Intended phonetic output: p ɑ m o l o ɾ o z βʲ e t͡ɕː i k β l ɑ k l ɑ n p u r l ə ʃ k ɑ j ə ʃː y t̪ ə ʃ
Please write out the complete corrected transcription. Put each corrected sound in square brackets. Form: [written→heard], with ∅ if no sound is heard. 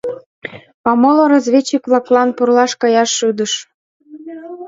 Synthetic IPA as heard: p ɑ m o l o ɾ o z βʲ e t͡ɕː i k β l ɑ k l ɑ n p u r l [ə→ɑ] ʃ k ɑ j [ə→ɑ] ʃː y [t̪→d̪] ə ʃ